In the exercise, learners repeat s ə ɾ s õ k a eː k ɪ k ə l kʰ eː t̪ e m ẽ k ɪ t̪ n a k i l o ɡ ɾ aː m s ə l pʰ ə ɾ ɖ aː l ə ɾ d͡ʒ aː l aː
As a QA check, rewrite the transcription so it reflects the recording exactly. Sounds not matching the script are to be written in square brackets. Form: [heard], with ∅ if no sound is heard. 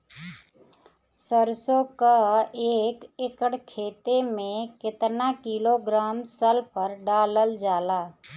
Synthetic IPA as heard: s ə ɾ s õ k a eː k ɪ k ə [ɽ] kʰ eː t̪ e m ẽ k ɪ t̪ n a k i l o ɡ ɾ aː m s ə l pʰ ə ɾ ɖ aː l ə [l] d͡ʒ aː l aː